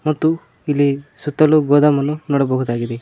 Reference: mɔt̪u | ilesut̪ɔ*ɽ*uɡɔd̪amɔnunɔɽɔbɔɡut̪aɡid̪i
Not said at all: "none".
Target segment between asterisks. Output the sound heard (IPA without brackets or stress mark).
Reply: l